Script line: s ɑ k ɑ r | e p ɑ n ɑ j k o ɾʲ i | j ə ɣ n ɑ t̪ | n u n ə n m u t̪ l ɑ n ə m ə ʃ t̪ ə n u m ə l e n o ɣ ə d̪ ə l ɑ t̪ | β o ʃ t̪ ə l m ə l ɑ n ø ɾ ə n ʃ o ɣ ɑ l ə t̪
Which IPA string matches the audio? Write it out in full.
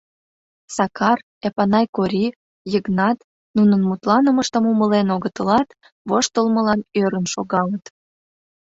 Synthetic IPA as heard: s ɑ k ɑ r | e p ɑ n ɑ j k o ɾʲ i | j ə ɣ n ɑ t̪ | n u n ə n m u t̪ l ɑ n ə m ə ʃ t̪ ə m u m ə l e n o ɣ ə t̪ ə l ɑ t̪ | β o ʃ t̪ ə l m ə l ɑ n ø ɾ ə n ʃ o ɣ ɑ l ə t̪